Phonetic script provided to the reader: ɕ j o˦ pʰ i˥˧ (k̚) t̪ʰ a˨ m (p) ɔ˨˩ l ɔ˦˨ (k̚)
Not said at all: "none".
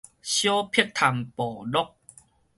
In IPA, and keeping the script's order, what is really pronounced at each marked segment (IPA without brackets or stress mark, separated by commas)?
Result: k̚, p, k̚